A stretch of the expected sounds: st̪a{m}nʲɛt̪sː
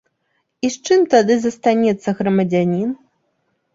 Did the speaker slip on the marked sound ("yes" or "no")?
yes